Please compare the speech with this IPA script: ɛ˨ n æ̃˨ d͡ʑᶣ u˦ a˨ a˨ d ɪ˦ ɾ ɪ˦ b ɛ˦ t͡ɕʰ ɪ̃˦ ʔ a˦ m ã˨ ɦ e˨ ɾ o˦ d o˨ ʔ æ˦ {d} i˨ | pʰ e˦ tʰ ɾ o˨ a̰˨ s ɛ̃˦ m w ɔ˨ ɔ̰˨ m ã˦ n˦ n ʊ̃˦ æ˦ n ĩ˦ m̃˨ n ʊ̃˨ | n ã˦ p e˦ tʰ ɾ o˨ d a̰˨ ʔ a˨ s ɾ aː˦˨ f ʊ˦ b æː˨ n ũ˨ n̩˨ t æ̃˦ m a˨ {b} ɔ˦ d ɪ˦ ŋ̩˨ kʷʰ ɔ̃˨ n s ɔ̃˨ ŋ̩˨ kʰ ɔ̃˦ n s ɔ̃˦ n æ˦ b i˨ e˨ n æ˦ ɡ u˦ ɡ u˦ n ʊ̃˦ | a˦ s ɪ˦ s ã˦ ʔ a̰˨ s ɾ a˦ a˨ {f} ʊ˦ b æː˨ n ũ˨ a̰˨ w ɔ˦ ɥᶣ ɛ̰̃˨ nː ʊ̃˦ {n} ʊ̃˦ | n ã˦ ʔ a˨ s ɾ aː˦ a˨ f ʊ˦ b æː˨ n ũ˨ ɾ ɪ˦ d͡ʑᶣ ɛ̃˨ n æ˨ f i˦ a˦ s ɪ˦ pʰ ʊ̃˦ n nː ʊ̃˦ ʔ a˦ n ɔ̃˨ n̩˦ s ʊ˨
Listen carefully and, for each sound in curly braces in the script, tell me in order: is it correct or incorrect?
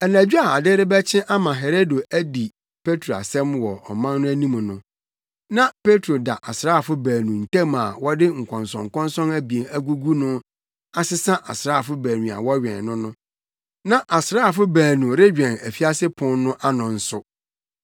correct, incorrect: w, correct, correct

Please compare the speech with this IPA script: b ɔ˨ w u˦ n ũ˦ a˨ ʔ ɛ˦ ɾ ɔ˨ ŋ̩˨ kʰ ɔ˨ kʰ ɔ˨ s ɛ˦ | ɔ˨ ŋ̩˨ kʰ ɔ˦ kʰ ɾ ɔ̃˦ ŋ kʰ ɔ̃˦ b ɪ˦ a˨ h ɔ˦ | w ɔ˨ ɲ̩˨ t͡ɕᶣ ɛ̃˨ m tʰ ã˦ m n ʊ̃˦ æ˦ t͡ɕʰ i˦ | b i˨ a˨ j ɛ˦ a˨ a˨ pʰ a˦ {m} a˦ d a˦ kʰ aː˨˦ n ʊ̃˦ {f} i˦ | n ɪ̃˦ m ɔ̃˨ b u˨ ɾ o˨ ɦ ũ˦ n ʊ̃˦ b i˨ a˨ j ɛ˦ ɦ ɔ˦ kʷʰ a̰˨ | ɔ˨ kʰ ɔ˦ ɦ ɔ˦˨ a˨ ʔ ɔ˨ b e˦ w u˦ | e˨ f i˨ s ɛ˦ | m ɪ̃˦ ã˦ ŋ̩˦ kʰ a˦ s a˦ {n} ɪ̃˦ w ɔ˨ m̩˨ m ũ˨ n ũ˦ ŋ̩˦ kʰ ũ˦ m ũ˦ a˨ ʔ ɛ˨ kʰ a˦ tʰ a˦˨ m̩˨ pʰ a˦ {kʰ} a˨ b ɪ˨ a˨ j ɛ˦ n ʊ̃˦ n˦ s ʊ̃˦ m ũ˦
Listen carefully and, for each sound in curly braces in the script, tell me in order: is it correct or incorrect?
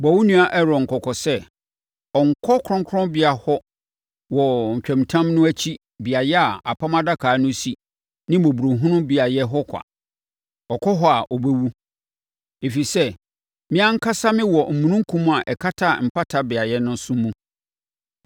correct, incorrect: s, incorrect: m, incorrect: tʰ

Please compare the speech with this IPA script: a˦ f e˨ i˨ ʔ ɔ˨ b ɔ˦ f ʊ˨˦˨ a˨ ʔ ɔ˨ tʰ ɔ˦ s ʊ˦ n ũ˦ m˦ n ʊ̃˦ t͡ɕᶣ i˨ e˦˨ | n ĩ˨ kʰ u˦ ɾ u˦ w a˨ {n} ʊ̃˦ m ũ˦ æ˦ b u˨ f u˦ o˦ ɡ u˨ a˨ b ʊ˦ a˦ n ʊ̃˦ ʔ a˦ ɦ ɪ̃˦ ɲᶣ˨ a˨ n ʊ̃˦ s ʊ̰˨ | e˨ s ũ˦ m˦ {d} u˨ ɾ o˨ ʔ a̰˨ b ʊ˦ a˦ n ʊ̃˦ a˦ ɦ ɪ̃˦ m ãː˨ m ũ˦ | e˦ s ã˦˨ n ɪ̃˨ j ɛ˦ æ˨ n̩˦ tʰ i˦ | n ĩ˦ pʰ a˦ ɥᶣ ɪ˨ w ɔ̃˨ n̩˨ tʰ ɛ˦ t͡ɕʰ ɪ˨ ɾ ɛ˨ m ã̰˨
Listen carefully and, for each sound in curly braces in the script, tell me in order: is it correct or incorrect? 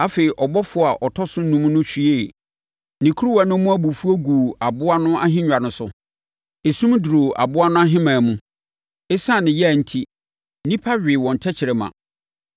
correct, correct

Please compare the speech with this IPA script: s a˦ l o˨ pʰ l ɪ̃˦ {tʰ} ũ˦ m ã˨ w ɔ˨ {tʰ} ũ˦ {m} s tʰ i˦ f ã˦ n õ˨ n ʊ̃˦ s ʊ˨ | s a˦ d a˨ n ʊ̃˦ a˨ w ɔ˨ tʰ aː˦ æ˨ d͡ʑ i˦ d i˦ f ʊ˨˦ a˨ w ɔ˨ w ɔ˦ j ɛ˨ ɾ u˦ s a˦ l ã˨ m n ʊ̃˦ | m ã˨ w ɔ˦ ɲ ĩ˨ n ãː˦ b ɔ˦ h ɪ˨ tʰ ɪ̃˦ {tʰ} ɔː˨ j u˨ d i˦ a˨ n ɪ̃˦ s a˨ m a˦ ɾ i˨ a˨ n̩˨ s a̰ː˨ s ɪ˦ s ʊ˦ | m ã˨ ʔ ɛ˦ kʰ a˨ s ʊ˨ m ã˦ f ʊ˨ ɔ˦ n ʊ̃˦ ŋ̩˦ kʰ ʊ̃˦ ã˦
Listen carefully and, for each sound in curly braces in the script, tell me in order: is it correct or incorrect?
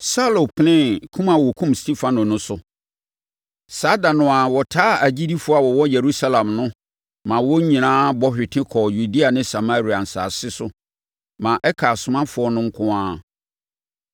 incorrect: kʰ, incorrect: kʰ, correct, incorrect: kʰ

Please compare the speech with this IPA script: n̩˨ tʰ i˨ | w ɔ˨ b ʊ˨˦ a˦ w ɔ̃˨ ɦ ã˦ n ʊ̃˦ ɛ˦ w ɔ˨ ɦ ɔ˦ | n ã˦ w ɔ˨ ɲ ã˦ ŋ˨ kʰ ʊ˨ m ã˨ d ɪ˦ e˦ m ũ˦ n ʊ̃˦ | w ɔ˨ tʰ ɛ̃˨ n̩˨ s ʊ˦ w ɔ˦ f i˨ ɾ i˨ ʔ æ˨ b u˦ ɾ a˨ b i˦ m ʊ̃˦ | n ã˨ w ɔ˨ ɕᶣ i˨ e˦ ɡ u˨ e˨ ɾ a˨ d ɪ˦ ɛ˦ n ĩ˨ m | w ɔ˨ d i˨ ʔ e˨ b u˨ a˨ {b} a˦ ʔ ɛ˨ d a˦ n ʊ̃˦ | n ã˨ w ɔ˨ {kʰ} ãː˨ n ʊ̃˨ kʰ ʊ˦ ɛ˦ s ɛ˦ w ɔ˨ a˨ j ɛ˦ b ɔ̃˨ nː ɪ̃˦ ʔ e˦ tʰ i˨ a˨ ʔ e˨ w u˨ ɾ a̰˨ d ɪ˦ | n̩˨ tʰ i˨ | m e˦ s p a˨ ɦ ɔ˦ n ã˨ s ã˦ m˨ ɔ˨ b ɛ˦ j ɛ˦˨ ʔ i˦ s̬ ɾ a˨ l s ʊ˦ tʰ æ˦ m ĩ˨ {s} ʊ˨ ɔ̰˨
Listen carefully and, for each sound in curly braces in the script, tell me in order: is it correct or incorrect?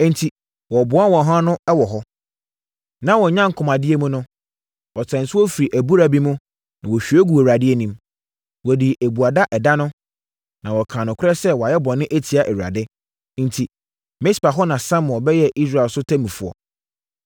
incorrect: d, correct, incorrect: f

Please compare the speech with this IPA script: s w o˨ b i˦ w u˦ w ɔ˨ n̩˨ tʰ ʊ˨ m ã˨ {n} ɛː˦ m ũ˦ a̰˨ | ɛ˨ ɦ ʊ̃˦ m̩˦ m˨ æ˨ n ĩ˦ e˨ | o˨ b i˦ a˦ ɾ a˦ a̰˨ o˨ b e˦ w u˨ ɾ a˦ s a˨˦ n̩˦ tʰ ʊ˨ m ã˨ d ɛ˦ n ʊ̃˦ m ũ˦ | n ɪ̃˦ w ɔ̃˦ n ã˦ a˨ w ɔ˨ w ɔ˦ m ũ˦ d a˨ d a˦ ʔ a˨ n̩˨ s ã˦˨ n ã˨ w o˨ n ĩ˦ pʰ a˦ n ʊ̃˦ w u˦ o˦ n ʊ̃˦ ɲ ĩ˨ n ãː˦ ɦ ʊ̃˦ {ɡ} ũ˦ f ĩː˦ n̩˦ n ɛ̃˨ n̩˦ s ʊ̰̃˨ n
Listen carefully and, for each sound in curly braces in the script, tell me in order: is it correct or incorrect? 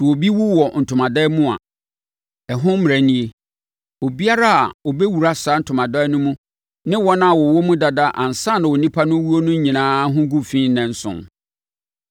incorrect: d, correct

